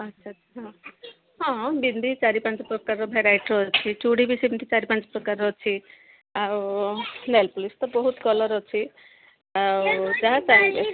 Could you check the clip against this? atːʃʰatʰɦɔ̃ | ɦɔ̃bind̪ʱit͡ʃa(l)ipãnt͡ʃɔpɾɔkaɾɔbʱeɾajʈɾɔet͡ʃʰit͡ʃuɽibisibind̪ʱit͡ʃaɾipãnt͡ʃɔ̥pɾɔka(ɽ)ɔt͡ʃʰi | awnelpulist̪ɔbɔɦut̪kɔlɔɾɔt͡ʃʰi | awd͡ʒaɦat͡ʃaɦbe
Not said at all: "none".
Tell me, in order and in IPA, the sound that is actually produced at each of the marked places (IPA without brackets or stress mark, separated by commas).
ɾ, ɾ